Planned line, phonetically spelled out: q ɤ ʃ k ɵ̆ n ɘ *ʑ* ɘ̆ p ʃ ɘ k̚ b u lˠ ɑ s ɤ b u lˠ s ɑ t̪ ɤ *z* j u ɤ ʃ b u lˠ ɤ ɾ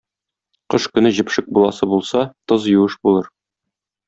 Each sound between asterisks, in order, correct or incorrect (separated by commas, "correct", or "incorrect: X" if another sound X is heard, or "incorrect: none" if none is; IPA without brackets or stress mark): correct, correct